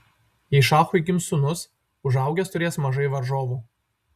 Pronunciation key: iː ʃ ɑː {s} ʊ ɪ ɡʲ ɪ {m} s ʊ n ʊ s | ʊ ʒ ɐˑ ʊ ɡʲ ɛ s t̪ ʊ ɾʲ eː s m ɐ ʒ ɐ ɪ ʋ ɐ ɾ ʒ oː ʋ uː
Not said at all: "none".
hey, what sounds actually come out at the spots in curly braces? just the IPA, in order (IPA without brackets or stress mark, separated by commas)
x, m